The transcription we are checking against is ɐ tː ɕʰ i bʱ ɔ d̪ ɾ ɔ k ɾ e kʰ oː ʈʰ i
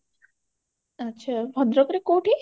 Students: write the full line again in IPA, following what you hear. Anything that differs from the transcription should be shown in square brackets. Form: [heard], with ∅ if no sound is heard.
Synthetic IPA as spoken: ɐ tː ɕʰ [a] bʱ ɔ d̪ ɾ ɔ k ɾ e [k] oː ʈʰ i